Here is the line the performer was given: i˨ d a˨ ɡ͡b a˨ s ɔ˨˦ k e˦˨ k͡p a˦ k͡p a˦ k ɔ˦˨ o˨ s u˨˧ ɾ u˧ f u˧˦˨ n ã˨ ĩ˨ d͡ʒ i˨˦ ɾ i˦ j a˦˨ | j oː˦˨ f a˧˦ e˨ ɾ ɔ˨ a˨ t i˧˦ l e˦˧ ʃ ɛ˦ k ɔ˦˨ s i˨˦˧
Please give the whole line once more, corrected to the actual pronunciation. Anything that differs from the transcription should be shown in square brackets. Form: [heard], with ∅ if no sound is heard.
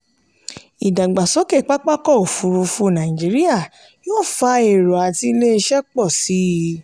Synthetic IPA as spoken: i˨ d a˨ ɡ͡b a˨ s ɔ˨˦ k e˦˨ k͡p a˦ k͡p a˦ k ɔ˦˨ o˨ [f] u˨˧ ɾ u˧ f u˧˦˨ n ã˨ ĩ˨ d͡ʒ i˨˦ ɾ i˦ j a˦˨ | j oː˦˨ f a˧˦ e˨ ɾ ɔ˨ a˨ t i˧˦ l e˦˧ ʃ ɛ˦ [k͡p] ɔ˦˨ s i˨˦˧

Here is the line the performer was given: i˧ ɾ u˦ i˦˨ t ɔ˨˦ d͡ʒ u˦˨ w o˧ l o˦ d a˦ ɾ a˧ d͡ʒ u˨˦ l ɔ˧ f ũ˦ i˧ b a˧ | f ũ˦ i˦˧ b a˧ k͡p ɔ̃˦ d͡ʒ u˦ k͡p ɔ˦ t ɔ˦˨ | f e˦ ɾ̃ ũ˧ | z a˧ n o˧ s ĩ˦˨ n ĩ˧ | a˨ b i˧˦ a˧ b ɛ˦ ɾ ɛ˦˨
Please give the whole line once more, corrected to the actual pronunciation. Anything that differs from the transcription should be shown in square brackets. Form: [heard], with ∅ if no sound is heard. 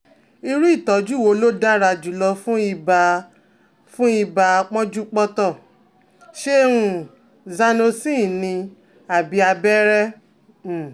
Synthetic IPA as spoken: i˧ ɾ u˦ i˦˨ t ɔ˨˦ d͡ʒ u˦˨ w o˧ l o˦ d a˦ ɾ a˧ d͡ʒ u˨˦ l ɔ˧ f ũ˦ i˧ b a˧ | f ũ˦ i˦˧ b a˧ k͡p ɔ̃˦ d͡ʒ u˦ k͡p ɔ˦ t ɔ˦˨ | [ʃ] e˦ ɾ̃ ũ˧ | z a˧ n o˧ s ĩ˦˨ n ĩ˧ | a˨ b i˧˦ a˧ b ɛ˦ ɾ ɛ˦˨

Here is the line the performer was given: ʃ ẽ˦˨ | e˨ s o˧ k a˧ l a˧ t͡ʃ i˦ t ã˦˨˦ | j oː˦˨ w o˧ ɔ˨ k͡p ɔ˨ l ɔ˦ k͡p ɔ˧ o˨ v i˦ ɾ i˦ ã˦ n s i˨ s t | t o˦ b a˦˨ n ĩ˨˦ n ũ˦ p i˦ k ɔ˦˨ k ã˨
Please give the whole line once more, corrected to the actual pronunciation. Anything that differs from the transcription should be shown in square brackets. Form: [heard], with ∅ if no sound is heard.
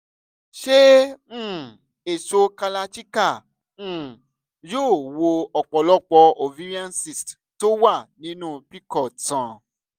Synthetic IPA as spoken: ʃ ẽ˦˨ | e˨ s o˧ k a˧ l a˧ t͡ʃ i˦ [k] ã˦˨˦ | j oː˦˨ w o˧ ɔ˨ k͡p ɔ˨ l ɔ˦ k͡p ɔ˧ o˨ v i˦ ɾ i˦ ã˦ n s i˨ s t | t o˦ [w] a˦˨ n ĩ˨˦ n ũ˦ p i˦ k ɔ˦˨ [t] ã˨

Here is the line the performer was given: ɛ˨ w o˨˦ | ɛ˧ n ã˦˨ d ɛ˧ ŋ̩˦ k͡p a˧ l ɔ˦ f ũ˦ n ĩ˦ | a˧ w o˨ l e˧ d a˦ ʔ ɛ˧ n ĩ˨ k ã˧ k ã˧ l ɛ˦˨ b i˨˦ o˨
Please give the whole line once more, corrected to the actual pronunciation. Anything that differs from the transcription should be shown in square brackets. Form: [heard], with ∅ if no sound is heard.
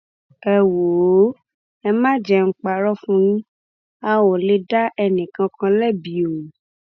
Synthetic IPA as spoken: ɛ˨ w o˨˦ | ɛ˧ [m] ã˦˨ [d͡ʒ] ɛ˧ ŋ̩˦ k͡p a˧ [ɾ] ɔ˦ f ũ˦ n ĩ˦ | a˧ w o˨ l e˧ d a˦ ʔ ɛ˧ n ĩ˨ k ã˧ k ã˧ l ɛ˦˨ b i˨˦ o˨

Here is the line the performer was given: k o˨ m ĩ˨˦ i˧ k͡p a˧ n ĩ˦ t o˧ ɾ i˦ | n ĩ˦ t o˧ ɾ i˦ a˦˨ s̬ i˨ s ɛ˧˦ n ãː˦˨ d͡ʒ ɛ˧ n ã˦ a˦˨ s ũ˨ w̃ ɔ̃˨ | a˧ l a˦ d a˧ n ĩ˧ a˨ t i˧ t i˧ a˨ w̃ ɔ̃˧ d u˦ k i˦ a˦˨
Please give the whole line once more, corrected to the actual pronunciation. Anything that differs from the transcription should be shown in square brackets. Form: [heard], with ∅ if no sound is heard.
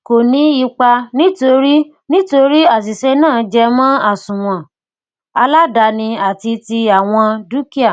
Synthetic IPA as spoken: k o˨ [n] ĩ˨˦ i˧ k͡p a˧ n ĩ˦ t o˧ ɾ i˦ | n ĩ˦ t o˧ ɾ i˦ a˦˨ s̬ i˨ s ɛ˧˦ n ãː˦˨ d͡ʒ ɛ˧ [m] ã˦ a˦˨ s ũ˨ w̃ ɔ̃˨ | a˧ l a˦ d a˧ n ĩ˧ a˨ t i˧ t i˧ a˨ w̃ ɔ̃˧ d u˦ k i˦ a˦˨

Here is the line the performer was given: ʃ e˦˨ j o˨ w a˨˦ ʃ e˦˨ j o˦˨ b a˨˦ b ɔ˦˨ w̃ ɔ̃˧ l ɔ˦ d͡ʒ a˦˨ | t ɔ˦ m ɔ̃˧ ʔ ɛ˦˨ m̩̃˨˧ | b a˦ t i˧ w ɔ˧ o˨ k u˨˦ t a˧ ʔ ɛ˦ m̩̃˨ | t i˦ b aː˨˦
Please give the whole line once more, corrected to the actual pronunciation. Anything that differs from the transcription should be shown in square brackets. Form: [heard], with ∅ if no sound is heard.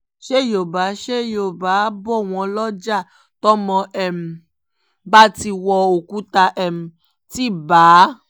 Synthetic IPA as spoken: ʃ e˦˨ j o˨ [b] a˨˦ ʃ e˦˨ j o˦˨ b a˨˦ b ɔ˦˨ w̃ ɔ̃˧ l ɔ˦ d͡ʒ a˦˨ | t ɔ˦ m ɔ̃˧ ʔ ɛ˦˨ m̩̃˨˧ | b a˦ t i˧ w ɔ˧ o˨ k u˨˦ t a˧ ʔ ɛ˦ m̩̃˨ | t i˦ b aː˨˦

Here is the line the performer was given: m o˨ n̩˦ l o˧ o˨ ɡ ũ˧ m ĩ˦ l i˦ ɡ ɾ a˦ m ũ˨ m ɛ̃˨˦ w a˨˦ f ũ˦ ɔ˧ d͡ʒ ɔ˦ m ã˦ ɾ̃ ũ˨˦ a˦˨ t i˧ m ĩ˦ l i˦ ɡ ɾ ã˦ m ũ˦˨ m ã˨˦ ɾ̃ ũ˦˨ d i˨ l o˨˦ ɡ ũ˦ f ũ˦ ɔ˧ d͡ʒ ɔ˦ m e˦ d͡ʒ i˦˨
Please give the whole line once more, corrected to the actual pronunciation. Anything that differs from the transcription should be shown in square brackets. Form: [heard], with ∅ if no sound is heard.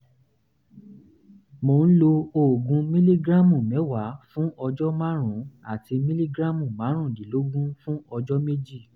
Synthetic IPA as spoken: m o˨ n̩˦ l o˧ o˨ ɡ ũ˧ m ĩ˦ l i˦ ɡ ɾ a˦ m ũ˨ m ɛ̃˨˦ w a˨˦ f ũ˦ ɔ˧ d͡ʒ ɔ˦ m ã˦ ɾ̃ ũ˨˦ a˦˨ t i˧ m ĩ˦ l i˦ ɡ ɾ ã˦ m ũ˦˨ m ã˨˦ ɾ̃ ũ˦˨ d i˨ l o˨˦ ɡ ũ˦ f ũ˦ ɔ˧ d͡ʒ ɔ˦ m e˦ d͡ʒ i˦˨

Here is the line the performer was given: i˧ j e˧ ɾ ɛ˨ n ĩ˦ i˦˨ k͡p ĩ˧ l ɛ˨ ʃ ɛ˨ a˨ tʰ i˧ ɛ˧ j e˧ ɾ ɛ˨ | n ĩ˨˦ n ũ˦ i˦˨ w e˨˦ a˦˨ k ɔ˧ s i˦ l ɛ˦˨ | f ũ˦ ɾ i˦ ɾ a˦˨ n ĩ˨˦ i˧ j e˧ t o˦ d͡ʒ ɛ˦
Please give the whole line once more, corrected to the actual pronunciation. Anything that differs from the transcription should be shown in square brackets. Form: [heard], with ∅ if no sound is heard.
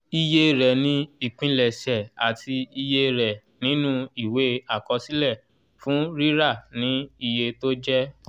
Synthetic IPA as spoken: i˧ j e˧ ɾ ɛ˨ n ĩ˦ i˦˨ k͡p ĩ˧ l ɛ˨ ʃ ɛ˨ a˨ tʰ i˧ [i˧] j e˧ ɾ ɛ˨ | n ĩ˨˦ n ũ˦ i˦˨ w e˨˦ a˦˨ k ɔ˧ s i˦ l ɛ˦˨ | f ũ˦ ɾ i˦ ɾ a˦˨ n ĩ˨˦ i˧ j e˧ t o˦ d͡ʒ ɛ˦

